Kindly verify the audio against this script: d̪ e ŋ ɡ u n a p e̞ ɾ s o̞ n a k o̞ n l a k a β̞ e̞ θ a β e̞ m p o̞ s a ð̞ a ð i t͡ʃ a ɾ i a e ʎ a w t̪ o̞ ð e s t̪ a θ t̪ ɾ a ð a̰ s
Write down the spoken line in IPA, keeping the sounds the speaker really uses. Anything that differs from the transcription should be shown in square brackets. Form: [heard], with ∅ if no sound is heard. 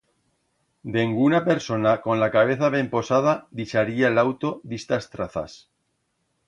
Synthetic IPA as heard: d̪ e ŋ ɡ u n a p e̞ ɾ s o̞ n a k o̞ n l a k a β̞ e̞ θ a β e̞ m p o̞ s a ð̞ a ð i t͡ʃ a ɾ i a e [l] a w t̪ o̞ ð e s t̪ a [s] t̪ ɾ a [θ] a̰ s

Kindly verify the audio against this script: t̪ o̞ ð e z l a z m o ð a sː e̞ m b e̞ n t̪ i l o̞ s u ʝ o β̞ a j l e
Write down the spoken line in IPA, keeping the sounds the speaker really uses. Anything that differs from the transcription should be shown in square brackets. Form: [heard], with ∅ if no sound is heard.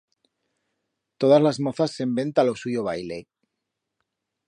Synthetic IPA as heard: t̪ o̞ ð [a] z l a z m o [θ] a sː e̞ m b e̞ n t̪ [a] l o̞ s u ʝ o β̞ a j l e

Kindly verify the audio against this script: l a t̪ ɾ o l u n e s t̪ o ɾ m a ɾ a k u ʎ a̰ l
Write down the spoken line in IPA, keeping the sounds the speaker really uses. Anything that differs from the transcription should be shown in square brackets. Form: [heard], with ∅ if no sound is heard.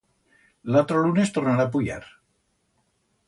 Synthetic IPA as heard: l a t̪ ɾ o l u n e s t̪ o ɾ [n] a ɾ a [p] u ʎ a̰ [ɾ]

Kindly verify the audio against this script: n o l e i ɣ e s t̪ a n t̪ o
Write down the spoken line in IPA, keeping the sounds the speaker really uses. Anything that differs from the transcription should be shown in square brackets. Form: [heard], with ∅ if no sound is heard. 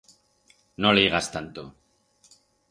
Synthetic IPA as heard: n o l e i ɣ [a] s t̪ a n t̪ o

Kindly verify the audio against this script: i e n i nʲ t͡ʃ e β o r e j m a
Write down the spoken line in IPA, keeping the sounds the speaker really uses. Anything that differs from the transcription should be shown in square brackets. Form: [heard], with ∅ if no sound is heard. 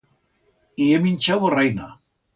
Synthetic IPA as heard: i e [m] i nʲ t͡ʃ [a] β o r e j [n] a

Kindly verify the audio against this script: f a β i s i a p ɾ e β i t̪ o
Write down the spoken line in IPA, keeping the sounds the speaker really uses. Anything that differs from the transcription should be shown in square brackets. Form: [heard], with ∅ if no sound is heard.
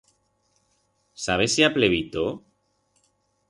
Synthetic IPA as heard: [s] a β [e] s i a p [l] e β i t̪ o

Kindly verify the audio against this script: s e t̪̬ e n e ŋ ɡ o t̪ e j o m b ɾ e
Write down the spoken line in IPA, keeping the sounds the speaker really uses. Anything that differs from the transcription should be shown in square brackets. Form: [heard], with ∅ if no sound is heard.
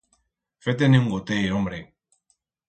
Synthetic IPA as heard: [f] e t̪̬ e n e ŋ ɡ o t̪ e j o m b ɾ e

